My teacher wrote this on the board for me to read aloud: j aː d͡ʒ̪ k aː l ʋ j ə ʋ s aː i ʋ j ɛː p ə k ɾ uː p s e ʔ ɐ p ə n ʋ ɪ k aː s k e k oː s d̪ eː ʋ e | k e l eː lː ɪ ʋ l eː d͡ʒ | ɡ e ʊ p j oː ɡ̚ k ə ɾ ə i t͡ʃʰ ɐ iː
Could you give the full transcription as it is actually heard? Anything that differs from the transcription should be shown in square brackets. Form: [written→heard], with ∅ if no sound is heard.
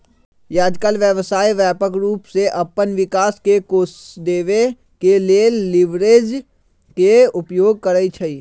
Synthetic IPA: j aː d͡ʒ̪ k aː l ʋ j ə ʋ s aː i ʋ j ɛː p ə k ɾ uː p s e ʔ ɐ p ə n ʋ ɪ k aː s k e k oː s d̪ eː ʋ e | k e l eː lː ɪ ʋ [l→ɾ] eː d͡ʒ | [ɡ→k] e ʊ p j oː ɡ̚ k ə ɾ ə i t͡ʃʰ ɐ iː